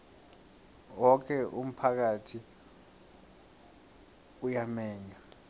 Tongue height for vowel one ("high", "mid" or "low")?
mid